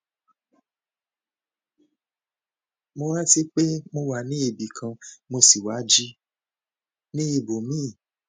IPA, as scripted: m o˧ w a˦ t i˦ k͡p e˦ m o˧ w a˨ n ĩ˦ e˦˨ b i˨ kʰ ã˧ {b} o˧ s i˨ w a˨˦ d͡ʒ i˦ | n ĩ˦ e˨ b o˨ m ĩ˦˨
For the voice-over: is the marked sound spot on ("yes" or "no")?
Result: no